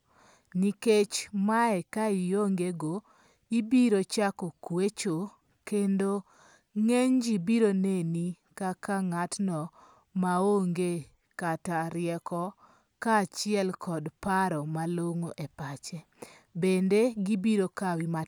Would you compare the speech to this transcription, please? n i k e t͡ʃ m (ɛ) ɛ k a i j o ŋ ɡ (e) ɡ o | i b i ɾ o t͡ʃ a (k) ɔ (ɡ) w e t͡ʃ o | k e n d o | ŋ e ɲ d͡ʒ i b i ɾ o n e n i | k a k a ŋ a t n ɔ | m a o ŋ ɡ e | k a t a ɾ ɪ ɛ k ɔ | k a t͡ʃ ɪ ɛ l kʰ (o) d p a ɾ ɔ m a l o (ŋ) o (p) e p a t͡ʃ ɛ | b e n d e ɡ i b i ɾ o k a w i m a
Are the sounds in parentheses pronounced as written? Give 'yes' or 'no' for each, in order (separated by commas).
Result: no, yes, yes, no, no, yes, no